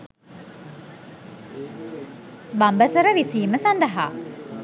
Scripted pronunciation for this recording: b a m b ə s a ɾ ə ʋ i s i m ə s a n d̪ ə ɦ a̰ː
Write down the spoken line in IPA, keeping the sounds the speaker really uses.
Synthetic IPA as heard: b a m b ə s ə ɾ ə ʋ i s iː m ə s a n d̪ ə ɦ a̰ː